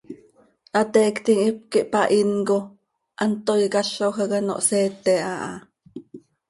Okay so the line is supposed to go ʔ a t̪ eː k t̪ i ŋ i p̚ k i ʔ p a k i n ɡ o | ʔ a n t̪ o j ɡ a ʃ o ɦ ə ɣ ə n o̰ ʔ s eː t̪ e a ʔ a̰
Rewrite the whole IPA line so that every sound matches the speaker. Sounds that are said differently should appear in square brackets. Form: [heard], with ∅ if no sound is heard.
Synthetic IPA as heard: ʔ a t̪ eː k t̪ i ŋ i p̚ k i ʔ p a [ʔ] i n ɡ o | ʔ a n t̪ o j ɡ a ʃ o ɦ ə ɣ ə n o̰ ʔ s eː t̪ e a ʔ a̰